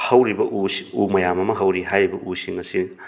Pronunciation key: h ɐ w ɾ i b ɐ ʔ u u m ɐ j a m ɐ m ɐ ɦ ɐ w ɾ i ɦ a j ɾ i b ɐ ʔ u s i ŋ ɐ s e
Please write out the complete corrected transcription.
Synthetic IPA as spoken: h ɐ w ɾ i b ɐ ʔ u u m ɐ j a m ɐ m ɐ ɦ ɐ w ɾ i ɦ a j ɾ i b ɐ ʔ u s i ŋ ɐ s i